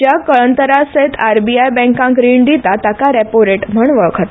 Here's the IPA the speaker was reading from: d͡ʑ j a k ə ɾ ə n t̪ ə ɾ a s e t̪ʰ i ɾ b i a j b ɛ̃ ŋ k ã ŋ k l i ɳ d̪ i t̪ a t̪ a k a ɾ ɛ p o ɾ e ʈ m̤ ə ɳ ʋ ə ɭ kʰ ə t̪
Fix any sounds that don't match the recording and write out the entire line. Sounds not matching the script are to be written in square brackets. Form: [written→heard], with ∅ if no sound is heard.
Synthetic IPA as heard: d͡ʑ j a k ə [ɾ→ɭ] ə n t̪ ə ɾ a s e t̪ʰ [i→a] ɾ b i a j b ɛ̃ ŋ k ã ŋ k [l→ɾ] i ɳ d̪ i t̪ a t̪ a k a ɾ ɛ p o ɾ e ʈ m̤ ə ɳ ʋ ə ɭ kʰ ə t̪